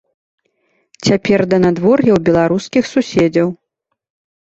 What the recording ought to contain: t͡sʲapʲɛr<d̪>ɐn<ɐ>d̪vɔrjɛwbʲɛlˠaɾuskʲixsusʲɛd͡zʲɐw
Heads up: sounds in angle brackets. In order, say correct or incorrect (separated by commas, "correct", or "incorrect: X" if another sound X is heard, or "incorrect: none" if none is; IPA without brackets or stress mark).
correct, incorrect: a